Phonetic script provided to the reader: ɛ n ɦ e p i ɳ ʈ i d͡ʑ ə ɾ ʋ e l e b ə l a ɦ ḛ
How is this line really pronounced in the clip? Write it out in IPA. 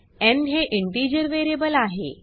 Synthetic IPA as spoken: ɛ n ɦ e ʔ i ɳ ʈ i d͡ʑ ə ɾ ʋ e ɾ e b ə l a ɦ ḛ